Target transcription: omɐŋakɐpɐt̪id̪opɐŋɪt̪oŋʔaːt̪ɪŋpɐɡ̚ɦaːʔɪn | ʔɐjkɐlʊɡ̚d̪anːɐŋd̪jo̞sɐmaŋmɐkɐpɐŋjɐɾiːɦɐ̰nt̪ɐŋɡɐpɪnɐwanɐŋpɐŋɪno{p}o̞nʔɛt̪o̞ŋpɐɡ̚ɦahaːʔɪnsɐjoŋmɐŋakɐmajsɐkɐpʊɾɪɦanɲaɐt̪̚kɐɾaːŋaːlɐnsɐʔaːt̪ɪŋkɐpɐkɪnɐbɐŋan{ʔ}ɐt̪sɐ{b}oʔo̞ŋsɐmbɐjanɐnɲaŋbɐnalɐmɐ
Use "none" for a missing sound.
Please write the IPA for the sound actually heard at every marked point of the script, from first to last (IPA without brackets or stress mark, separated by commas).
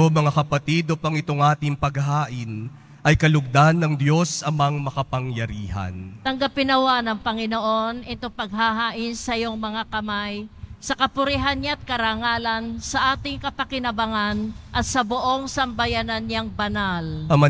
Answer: ʔ, ʔ, b